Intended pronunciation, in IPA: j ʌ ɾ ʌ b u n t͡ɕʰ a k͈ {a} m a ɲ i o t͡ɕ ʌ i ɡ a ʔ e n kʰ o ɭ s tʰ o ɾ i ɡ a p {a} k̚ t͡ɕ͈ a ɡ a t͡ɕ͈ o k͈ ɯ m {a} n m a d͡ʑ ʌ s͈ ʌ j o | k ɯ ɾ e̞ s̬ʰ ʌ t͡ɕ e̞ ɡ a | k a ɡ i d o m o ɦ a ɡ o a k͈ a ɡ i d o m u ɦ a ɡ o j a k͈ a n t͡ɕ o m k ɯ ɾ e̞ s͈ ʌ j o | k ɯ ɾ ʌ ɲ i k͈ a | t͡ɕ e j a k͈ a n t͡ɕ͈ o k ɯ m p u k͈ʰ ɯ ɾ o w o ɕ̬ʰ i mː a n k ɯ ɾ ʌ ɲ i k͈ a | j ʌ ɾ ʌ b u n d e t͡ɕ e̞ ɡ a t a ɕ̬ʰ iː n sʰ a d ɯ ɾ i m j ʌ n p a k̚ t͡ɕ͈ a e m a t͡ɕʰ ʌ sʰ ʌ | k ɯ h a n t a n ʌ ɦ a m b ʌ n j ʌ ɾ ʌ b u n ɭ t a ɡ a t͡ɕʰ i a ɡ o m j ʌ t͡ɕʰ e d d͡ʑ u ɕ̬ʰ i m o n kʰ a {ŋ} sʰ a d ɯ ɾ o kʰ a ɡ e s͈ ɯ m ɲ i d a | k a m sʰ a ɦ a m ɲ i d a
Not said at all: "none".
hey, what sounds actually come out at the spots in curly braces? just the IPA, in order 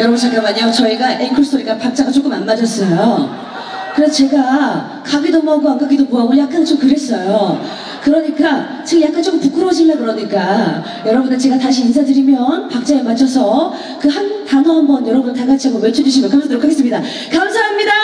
a, a, a, m

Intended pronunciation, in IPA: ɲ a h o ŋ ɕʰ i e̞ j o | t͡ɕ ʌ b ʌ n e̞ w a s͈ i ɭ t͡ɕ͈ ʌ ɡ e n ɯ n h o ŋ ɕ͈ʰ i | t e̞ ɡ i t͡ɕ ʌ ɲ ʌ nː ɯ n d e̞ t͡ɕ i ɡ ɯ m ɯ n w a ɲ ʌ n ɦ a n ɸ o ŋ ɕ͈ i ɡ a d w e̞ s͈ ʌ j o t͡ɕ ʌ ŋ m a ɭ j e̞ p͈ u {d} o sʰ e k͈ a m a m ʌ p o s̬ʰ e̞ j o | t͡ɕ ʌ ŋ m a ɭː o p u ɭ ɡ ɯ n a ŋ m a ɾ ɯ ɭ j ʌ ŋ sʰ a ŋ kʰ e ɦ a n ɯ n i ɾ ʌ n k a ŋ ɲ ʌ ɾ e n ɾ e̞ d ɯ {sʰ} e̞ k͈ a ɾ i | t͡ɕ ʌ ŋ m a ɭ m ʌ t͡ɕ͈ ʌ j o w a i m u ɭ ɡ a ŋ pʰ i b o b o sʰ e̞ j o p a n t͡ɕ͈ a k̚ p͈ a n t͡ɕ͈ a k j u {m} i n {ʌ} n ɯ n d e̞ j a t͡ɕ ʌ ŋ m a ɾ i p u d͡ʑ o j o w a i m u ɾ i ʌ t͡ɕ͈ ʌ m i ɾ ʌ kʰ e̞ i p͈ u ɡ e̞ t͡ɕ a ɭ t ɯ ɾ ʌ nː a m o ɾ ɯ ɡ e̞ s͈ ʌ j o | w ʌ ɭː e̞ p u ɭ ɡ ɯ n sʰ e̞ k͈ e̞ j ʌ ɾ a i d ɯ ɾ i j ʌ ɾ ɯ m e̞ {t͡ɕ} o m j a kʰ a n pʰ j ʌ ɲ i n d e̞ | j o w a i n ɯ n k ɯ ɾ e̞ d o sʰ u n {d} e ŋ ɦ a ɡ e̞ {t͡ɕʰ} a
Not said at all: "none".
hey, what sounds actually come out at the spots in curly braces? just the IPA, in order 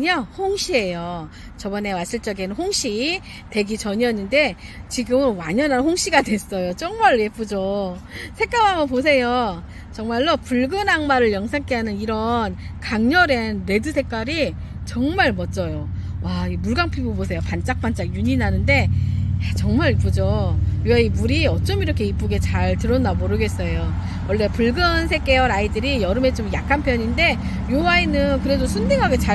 d͡ʑ, sʰ, ɲ, a, t͡ɕ, d, t͡ɕ

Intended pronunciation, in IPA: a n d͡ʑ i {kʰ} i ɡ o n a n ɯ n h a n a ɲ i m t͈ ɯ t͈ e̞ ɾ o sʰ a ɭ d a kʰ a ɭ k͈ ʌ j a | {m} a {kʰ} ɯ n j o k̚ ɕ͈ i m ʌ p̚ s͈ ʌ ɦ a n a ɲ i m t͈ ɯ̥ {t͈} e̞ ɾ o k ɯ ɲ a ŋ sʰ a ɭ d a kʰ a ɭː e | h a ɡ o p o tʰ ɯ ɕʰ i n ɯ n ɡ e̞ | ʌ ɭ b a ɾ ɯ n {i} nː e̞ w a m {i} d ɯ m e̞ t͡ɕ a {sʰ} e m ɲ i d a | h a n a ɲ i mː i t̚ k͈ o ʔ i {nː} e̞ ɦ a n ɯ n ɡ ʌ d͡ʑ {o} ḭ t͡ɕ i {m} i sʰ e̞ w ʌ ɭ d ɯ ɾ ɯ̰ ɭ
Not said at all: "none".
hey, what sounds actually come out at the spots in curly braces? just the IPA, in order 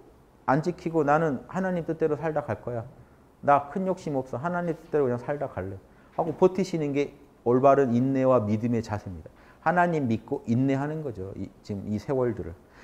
kʰ, n, kʰ, t͈, i, i, sʰ, nː, o, m

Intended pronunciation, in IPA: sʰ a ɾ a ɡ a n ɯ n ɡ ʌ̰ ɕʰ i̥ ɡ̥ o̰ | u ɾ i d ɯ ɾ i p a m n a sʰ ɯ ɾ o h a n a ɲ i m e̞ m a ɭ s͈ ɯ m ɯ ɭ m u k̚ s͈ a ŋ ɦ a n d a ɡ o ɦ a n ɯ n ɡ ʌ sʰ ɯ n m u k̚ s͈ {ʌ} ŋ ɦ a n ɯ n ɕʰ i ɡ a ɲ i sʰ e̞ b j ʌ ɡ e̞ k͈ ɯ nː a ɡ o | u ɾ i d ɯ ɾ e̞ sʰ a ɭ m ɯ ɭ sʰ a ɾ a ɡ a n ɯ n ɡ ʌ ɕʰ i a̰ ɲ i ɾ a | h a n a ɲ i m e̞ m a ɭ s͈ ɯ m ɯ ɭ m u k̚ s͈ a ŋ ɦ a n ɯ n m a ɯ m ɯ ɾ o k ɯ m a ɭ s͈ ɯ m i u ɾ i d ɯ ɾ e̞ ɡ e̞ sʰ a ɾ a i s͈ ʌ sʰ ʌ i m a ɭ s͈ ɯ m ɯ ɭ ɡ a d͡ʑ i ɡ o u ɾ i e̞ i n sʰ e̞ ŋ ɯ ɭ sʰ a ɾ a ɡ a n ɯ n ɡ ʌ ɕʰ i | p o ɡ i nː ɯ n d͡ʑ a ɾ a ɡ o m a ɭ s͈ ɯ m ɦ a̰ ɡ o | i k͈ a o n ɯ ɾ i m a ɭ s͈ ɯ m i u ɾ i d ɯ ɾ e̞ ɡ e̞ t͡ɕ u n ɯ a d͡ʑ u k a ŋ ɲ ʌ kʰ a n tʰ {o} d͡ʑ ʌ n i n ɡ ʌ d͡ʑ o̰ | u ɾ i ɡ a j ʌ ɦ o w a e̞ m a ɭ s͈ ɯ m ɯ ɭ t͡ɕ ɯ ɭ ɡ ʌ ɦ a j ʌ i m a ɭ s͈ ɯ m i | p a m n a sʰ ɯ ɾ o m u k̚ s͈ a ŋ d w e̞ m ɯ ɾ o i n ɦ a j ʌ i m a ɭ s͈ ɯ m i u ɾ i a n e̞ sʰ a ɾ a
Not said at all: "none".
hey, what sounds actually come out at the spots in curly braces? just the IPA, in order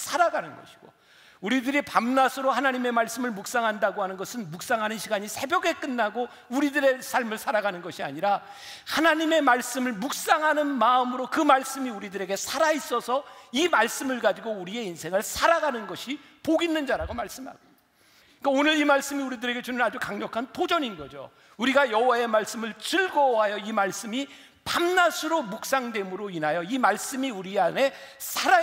a, o

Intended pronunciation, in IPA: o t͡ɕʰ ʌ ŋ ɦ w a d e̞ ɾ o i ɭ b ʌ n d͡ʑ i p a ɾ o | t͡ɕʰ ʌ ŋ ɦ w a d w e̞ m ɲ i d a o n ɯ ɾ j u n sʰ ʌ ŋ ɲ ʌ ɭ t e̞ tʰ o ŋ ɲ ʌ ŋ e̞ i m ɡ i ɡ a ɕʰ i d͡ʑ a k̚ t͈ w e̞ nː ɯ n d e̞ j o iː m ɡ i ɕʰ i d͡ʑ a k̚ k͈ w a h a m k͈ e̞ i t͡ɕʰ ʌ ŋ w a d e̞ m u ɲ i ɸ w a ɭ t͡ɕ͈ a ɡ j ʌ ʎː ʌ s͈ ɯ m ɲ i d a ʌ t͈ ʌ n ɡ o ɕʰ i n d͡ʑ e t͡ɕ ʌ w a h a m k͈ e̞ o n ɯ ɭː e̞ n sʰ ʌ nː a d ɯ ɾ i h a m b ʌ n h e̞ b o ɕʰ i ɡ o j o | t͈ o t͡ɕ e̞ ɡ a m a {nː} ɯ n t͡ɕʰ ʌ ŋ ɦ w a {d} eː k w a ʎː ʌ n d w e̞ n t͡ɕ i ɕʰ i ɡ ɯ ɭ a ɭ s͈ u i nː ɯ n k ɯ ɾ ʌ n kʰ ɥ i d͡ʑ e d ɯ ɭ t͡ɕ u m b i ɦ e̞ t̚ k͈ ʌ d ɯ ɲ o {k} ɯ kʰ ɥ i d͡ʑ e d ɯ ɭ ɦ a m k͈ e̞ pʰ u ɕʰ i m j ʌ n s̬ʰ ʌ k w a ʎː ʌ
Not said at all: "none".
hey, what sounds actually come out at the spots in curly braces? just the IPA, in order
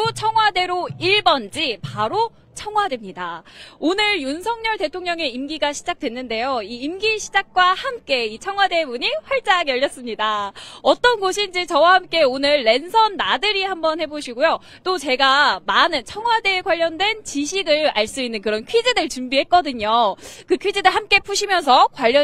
n, d, k

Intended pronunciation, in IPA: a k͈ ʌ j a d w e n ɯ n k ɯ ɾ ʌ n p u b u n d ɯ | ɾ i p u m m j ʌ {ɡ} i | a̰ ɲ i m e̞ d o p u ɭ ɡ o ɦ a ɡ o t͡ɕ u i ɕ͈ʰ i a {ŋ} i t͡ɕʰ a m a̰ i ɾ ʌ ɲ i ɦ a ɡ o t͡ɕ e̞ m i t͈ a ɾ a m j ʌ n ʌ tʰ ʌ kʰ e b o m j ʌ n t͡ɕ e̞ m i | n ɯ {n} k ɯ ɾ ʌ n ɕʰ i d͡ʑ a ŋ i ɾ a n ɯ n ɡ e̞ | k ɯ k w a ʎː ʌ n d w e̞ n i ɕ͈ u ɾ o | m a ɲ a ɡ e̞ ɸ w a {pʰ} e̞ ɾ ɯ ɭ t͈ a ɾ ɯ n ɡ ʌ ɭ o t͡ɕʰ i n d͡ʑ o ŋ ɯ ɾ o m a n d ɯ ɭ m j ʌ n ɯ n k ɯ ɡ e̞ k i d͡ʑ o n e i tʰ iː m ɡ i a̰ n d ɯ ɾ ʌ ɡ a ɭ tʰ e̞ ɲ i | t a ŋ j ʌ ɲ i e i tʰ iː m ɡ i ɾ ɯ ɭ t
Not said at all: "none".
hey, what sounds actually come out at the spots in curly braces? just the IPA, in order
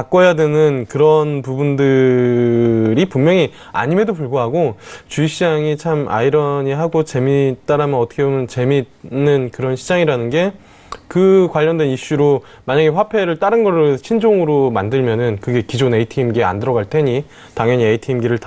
ŋ, ŋ, n, pʰ

